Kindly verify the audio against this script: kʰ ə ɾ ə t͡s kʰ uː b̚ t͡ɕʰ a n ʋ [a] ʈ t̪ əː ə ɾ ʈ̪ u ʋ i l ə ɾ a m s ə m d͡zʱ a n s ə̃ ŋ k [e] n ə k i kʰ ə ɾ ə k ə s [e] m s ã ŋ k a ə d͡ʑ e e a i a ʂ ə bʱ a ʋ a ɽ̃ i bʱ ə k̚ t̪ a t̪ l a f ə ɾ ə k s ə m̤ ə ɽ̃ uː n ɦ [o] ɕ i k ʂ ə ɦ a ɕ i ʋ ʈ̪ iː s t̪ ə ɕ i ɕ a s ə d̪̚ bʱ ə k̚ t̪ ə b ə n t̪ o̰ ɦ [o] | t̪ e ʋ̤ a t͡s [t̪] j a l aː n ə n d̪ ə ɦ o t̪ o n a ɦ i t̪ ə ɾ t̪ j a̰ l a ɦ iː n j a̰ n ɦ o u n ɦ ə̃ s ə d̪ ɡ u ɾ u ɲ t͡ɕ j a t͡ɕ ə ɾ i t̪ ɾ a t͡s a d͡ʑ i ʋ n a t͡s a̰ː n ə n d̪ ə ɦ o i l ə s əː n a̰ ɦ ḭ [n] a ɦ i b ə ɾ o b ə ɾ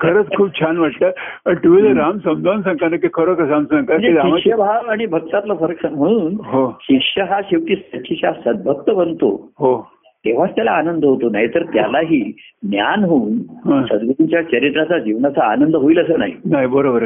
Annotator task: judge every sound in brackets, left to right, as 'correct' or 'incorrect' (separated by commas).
correct, incorrect, incorrect, correct, correct, correct, correct